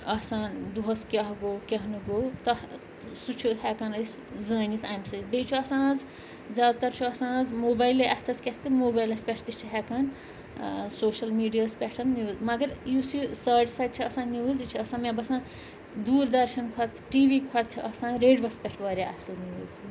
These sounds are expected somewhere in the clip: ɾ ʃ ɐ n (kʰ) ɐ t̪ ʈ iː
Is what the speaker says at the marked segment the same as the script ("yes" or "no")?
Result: yes